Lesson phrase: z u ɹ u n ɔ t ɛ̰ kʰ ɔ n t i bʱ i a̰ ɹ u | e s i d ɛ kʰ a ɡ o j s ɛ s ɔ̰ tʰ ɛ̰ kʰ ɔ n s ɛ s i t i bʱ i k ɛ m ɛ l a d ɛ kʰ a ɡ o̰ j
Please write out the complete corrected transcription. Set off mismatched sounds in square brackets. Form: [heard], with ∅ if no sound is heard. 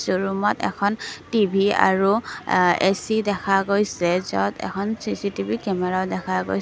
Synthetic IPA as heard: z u ɹ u [m] ɔ t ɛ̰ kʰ ɔ n t i bʱ i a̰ ɹ u | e s i d ɛ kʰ a ɡ o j s ɛ [z] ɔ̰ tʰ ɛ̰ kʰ ɔ n s [i] s i t i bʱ i k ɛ m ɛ [ɹ] a d ɛ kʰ a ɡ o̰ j